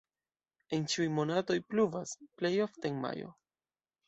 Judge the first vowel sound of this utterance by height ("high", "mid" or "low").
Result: mid